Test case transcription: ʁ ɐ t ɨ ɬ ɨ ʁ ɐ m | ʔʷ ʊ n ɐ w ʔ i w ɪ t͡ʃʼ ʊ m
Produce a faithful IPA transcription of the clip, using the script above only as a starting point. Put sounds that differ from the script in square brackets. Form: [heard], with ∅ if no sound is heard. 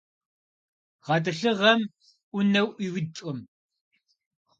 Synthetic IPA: ʁ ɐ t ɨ ɬ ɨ ʁ ɐ m | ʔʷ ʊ n ɐ w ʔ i w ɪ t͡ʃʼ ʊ m